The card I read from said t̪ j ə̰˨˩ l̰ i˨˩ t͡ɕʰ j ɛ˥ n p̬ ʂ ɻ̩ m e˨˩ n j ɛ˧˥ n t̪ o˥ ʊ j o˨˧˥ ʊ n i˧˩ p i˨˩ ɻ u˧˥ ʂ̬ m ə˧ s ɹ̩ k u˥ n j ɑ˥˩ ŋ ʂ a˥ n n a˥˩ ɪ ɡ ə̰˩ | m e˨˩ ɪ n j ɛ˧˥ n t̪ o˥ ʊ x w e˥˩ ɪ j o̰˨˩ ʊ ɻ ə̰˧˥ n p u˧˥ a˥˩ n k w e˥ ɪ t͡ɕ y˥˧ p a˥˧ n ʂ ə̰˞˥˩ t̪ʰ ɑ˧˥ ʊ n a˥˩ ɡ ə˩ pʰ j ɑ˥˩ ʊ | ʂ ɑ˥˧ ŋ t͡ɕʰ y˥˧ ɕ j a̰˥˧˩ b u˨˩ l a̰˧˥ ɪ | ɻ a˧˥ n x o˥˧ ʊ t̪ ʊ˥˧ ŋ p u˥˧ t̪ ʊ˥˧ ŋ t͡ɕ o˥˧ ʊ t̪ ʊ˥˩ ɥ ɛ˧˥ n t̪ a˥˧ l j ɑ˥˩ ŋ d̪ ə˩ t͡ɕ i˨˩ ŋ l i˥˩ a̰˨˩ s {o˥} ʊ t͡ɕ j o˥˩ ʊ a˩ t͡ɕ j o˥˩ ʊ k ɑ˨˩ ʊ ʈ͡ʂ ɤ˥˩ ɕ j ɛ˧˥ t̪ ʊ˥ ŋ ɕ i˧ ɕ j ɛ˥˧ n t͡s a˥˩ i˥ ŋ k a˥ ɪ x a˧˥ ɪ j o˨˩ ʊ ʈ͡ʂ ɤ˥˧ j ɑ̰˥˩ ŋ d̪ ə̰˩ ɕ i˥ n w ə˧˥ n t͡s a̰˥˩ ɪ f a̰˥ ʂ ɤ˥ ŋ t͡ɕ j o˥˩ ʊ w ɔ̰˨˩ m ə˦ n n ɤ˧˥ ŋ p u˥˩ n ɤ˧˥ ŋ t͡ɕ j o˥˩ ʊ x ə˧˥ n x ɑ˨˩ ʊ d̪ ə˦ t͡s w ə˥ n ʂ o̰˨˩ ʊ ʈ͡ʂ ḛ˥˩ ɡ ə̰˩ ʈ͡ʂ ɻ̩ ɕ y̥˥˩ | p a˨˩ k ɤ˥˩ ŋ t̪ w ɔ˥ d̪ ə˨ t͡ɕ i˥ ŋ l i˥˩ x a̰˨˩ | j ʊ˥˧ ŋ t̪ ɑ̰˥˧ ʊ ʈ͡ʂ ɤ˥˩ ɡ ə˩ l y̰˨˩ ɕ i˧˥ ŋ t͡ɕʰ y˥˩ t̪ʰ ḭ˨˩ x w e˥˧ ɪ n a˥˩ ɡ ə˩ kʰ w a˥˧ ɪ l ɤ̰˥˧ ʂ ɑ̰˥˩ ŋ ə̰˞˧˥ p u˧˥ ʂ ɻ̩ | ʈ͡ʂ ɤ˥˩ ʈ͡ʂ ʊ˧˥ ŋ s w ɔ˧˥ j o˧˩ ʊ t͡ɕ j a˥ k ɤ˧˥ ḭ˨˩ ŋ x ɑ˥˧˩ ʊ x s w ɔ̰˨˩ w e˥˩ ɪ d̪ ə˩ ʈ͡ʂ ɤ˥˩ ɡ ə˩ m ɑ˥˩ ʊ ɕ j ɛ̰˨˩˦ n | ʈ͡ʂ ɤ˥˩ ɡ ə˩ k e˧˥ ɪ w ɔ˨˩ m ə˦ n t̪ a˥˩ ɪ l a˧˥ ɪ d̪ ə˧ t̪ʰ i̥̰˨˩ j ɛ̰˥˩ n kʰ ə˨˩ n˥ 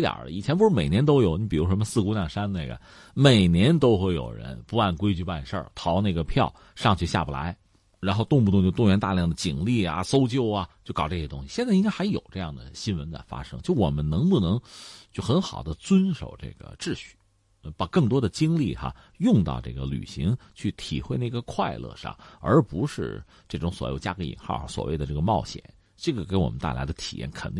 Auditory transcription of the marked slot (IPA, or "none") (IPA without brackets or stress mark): o˥